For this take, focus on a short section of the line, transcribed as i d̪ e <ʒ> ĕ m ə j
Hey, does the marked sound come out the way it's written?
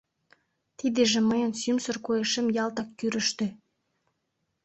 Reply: yes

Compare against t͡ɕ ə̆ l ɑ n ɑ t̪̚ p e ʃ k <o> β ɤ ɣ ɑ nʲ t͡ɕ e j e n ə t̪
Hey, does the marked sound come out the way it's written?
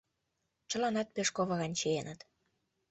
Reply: yes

